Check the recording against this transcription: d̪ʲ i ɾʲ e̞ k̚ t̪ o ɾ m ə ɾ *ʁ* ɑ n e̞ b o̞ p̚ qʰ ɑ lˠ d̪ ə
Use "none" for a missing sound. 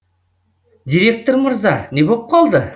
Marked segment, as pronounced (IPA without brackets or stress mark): z